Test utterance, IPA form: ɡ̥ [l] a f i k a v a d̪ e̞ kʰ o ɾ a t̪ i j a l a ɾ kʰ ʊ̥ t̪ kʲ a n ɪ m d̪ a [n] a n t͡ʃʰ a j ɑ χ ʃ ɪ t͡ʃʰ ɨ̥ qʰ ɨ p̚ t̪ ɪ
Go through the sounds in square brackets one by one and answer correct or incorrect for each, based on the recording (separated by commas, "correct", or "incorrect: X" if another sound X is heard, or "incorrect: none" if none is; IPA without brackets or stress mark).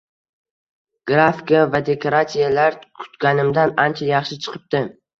incorrect: ɾ, correct